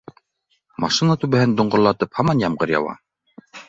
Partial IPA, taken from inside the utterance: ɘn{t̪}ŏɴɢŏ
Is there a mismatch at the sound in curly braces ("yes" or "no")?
yes